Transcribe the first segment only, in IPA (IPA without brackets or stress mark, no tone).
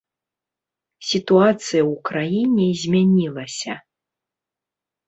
sʲ